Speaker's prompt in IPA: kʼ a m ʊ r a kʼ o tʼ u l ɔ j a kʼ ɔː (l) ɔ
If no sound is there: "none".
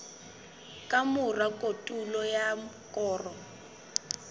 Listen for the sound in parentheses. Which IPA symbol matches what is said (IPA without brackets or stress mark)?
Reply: r